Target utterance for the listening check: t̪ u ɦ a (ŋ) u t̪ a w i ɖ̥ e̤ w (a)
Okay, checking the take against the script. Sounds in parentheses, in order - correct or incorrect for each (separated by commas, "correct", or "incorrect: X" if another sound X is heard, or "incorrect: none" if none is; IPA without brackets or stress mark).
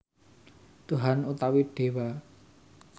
incorrect: n, correct